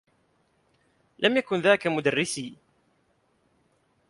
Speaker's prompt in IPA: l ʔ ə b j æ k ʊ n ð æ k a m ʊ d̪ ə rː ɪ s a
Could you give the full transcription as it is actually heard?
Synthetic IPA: l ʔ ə m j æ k ʊ n ð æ k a m ʊ d̪ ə rː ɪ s i